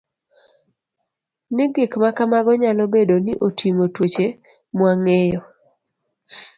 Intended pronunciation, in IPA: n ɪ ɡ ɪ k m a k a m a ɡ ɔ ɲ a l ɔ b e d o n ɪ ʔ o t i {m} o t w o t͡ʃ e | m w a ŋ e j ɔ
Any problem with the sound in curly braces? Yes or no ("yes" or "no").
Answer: yes